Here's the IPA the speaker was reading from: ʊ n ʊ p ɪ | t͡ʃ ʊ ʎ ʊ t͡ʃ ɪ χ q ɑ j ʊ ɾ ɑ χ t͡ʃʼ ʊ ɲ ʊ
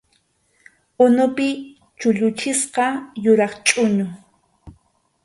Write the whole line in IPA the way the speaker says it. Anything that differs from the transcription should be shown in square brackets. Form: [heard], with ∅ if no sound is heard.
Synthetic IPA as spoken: ʊ n ʊ p ɪ | t͡ʃ ʊ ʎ ʊ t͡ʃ ɪ [s] q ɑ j ʊ ɾ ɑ χ t͡ʃʼ ʊ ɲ ʊ